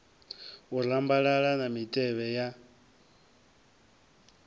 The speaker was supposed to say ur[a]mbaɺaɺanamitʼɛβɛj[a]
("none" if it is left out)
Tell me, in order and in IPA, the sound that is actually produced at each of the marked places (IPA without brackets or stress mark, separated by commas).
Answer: a, a